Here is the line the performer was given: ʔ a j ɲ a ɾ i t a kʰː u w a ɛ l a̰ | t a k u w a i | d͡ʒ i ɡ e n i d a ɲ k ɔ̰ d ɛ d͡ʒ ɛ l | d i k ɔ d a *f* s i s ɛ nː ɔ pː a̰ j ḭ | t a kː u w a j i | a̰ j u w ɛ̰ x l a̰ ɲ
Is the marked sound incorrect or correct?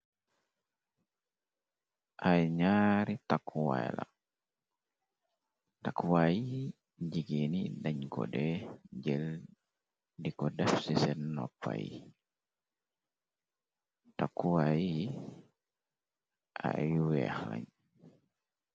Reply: correct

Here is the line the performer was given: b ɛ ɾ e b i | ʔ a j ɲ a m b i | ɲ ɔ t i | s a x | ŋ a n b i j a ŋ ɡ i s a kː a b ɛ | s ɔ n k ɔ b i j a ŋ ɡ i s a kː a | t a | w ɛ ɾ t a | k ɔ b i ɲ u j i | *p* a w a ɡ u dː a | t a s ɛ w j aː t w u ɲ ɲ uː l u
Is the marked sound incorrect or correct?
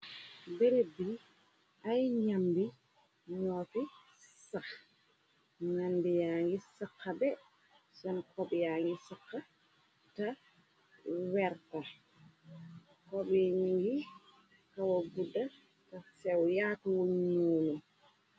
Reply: incorrect: k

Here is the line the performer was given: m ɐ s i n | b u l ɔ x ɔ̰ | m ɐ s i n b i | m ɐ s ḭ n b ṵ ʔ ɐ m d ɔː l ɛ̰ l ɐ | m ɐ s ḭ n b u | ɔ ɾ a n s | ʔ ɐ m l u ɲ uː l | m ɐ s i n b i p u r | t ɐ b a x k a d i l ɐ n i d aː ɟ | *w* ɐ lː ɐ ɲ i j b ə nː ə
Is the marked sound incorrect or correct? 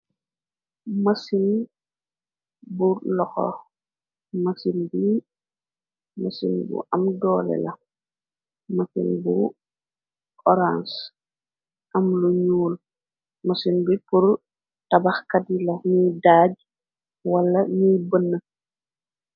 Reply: correct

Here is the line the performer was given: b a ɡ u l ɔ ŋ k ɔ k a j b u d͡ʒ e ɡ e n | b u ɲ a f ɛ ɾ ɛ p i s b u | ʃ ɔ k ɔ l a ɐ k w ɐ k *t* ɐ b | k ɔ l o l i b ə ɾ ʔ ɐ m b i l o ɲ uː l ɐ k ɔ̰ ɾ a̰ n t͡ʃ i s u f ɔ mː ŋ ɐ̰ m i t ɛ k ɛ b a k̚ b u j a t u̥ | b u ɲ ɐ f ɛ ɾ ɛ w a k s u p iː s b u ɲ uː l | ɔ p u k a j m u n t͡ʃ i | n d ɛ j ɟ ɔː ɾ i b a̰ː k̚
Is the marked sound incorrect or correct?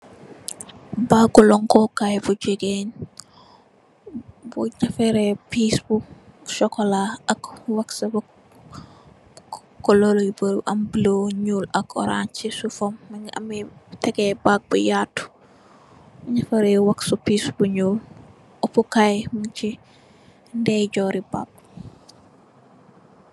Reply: incorrect: s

